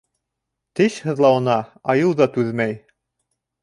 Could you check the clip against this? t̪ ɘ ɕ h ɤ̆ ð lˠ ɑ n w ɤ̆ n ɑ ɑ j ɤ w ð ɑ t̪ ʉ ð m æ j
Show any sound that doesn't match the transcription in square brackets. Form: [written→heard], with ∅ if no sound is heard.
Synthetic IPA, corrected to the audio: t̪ ɘ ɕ h ɤ̆ ð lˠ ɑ [n→∅] w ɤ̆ n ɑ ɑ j ɤ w ð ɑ t̪ ʉ ð m æ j